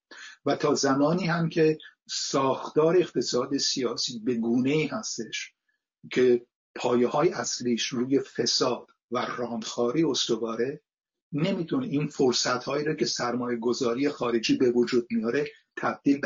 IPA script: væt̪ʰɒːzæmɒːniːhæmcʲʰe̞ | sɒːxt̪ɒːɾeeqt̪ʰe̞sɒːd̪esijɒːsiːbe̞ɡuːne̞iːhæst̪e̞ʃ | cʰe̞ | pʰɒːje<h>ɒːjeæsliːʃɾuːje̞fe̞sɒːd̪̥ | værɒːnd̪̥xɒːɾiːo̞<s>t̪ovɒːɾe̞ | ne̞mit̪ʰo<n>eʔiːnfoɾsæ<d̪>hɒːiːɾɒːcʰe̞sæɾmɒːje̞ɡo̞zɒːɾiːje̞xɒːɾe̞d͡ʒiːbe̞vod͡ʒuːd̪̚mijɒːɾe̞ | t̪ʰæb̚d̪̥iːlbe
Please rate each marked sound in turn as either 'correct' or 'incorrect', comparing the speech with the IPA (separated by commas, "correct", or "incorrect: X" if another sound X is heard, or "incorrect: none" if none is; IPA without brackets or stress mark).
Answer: correct, correct, correct, incorrect: t̪